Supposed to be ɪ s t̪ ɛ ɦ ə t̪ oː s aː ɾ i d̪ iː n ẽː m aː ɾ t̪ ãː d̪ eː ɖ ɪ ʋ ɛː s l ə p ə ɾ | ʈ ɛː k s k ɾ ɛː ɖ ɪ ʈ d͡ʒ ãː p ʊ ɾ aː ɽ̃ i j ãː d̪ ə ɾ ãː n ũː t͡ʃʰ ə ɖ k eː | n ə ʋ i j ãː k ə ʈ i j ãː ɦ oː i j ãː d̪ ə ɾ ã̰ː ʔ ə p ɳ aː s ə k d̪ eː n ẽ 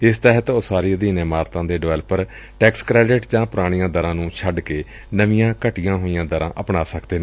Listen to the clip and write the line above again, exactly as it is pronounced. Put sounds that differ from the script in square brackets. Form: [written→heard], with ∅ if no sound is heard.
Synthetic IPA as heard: ɪ s t̪ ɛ ɦ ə t̪ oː s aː ɾ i d̪ iː n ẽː m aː ɾ t̪ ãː d̪ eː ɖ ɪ ʋ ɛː [s→∅] l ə p ə ɾ | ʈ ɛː k s k ɾ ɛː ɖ ɪ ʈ d͡ʒ ãː p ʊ ɾ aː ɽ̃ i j ãː d̪ ə ɾ ãː n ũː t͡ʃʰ ə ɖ k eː | n ə ʋ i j ãː k ə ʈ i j ãː ɦ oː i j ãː d̪ ə ɾ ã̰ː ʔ ə p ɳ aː s ə k d̪ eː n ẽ